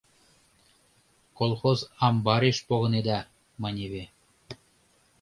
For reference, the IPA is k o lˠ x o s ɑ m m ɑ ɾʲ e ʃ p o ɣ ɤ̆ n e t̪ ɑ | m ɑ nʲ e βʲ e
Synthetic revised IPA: k o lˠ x o z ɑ m b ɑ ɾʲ e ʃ p o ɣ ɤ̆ n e d̪ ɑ | m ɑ nʲ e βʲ e